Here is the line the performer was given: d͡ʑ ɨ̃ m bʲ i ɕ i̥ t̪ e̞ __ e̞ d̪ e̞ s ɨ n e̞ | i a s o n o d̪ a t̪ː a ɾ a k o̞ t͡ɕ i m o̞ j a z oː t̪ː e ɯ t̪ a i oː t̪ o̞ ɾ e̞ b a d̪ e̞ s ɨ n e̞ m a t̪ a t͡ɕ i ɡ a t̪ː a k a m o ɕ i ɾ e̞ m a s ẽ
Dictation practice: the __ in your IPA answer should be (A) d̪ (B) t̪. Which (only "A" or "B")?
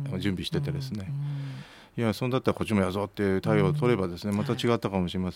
B